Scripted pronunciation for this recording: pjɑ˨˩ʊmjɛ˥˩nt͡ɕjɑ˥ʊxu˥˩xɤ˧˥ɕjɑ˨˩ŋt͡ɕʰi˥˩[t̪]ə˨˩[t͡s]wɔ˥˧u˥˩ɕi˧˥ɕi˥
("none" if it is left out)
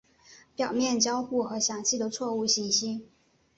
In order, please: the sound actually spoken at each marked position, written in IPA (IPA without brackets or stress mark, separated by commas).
d̪, t͡sʰ